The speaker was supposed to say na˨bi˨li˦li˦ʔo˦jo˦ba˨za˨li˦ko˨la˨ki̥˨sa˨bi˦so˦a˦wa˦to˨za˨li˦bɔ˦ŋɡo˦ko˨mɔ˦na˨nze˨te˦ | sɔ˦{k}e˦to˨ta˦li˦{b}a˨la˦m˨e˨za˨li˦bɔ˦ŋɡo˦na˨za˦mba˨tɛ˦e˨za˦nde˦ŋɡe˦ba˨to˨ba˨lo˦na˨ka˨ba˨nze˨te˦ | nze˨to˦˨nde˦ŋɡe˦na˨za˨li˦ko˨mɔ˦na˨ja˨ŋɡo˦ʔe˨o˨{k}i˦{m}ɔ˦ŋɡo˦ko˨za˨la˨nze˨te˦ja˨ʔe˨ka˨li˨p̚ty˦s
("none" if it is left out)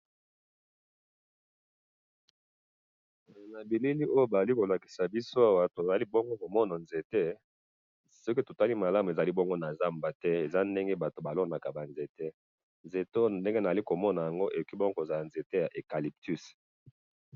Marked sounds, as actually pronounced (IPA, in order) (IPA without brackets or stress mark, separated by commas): k, m, k, b